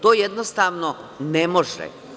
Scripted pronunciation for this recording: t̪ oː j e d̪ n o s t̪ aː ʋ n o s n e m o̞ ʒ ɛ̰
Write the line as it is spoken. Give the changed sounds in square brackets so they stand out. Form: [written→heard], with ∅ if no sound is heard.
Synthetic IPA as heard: t̪ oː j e d̪ n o s t̪ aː ʋ n o [s→∅] n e m o̞ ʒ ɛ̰